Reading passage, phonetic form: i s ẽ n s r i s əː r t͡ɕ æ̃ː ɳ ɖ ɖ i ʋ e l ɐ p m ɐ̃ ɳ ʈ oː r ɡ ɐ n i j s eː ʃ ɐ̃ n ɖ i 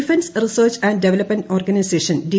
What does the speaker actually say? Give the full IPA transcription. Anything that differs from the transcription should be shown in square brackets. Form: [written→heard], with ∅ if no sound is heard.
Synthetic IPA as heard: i [s→f] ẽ n s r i s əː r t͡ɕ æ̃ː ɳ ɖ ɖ [i→e] ʋ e l ɐ p m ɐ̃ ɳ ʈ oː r ɡ ɐ n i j s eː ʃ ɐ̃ n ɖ i